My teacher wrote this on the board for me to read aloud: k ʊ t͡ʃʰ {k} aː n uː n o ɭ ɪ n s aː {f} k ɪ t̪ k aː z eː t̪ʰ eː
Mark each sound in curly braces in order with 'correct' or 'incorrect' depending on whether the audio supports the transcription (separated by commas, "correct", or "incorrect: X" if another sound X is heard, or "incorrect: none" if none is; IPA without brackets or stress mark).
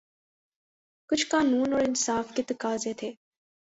correct, correct